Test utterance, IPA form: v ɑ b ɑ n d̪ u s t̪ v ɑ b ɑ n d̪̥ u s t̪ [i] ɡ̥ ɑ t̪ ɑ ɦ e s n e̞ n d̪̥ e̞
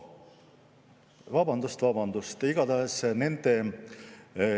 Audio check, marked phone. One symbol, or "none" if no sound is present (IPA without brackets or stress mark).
i